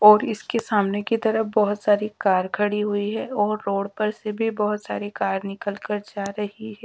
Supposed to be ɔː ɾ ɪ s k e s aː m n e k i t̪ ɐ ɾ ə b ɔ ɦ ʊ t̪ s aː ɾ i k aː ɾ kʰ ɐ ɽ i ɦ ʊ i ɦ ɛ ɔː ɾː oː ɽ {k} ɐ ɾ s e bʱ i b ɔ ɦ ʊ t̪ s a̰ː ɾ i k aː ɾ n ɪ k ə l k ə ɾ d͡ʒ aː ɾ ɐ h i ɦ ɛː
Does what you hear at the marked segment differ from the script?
yes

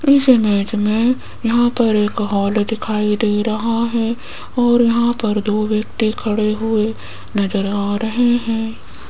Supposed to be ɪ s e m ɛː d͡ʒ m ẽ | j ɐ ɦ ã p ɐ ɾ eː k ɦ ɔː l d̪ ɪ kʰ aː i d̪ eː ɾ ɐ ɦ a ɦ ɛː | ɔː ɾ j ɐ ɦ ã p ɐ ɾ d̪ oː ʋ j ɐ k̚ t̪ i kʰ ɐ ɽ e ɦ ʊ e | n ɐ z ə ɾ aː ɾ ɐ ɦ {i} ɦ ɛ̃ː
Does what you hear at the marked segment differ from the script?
yes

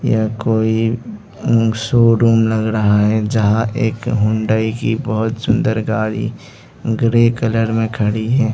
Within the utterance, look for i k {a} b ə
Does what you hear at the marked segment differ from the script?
yes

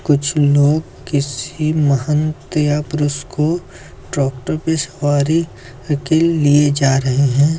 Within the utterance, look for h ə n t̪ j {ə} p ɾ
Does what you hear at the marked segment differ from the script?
yes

